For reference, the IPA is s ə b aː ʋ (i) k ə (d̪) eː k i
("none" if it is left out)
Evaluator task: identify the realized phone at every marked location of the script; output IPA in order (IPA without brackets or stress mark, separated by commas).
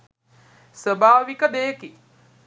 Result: i, d̪